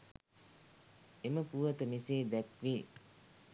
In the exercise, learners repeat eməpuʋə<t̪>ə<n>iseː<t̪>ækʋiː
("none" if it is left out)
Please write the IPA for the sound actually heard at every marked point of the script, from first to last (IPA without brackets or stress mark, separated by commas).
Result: t̪, m, d̪